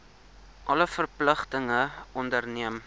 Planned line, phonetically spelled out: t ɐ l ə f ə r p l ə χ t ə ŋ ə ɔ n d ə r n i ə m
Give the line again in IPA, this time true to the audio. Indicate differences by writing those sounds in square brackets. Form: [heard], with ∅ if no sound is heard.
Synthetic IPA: [ʔ] ɐ l ə f ə r p l ə χ t ə ŋ ə ɔ n d ə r n i ə m

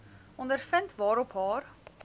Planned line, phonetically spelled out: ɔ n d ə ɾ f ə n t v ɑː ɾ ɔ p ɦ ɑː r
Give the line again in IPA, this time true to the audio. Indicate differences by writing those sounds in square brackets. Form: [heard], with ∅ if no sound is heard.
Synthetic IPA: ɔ n d ə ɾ f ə n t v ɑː ɾ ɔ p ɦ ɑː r

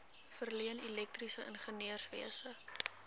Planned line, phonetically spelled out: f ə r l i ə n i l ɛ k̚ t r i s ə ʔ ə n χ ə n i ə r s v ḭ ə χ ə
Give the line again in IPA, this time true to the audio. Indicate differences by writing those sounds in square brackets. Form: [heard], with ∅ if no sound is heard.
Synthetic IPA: f ə r l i ə n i l ɛ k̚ t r i s ə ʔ ə n χ ə n i ə r s v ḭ ə [s] ə

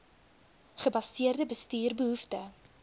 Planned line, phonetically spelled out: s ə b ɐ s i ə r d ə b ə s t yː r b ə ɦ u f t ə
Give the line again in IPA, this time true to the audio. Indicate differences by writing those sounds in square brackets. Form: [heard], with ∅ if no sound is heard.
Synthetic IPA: [χ] ə b ɐ s i ə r d ə b ə s t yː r b ə ɦ u f t ə

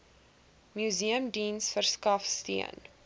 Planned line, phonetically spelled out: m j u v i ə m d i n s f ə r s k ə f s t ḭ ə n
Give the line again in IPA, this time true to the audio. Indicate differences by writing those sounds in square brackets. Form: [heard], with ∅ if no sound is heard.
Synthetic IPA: m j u [z] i ə m d i n s f ə r s k [ɐ] f s t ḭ ə n

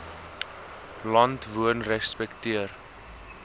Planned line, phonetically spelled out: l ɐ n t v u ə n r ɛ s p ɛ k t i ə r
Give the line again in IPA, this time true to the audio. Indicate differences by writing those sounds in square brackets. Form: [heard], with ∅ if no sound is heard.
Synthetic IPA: l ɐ n t v u ə n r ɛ s p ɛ k t i ə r

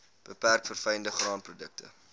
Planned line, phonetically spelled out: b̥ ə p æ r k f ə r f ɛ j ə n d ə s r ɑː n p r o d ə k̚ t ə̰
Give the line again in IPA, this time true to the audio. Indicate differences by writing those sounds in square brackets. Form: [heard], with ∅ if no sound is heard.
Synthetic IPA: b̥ ə p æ r k f ə r f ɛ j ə n d ə [χ] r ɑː n p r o d ə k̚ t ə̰

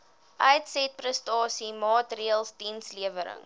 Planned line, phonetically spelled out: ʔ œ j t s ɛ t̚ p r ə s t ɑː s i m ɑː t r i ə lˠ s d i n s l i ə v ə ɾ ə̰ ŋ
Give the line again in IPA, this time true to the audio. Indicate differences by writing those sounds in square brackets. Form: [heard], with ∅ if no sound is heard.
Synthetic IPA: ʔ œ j t s ɛ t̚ p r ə s t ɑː s i m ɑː t r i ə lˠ s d i n s l i ə v ə ɾ ə̰ ŋ

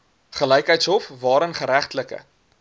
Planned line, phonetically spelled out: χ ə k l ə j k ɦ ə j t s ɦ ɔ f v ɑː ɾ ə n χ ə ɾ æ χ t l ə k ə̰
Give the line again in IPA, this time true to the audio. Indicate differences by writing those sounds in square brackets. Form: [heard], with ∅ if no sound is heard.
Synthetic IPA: χ ə [∅] l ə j k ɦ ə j t s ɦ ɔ f v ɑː ɾ ə n χ ə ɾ æ χ t l ə k ə̰

